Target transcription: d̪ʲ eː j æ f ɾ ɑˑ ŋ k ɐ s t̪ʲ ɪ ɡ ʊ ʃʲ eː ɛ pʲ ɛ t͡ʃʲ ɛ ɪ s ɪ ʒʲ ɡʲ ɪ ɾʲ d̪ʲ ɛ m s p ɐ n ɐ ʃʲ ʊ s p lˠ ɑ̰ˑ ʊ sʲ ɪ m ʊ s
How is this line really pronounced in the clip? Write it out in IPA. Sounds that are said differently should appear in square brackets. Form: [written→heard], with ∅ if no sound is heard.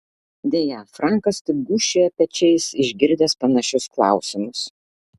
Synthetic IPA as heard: d̪ʲ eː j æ f ɾ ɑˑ ŋ k ɐ s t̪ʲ ɪ ɡ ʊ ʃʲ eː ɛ pʲ ɛ t͡ʃʲ ɛ ɪ s ɪ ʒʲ ɡʲ ɪ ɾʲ d̪ʲ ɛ [m→∅] s p ɐ n ɐ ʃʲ ʊ s [p→k] lˠ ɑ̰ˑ ʊ sʲ ɪ m ʊ s